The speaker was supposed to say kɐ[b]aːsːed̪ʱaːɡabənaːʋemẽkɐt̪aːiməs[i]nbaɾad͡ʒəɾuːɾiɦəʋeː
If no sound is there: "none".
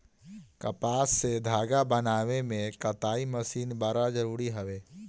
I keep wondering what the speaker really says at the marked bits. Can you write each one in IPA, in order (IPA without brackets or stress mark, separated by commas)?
p, iː